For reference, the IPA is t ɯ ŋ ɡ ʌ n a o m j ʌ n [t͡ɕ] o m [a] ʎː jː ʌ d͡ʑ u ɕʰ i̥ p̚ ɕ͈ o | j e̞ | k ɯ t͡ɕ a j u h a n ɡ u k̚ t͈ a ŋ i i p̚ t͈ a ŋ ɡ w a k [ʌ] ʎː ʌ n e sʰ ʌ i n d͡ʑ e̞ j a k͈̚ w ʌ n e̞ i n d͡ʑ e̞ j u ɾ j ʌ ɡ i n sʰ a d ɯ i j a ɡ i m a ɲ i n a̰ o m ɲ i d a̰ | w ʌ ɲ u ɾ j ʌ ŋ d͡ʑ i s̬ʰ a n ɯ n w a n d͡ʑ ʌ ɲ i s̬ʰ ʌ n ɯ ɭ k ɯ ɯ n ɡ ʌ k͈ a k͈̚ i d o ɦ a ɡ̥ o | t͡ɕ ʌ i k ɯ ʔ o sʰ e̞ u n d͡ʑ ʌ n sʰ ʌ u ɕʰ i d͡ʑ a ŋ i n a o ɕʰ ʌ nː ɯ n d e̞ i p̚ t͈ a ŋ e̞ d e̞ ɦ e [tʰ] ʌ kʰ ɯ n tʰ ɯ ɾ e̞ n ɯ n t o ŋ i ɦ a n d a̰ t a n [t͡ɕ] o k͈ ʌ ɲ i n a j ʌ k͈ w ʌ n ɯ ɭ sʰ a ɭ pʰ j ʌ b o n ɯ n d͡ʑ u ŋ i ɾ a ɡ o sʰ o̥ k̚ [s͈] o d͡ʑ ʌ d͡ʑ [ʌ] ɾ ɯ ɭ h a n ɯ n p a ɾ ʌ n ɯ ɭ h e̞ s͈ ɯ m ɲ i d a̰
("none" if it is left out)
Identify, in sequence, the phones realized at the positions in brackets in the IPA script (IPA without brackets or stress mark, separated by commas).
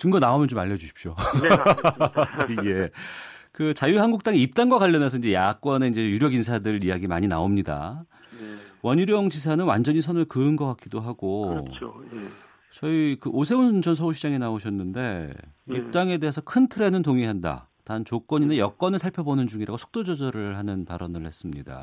t͡ɕ, a, a, sʰ, t͡ɕ, t͈, ʌ